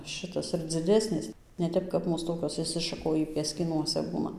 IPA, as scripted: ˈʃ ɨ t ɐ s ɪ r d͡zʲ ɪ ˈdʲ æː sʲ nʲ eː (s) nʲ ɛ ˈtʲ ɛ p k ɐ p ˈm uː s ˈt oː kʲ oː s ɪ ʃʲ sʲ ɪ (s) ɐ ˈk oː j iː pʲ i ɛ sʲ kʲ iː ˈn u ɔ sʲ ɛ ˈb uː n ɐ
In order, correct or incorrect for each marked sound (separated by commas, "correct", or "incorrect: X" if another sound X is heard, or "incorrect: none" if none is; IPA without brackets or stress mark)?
correct, incorrect: ʃ